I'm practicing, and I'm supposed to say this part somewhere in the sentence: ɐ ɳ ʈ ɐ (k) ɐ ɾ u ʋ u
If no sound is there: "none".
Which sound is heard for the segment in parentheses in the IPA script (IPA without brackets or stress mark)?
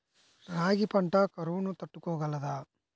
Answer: k